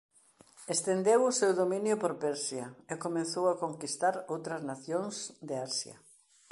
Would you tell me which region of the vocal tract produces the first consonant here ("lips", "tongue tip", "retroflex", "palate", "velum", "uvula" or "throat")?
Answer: tongue tip